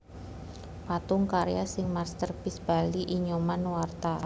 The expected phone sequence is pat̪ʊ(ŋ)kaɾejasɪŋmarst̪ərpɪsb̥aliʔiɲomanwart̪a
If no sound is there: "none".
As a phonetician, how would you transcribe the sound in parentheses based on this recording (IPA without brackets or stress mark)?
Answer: ŋ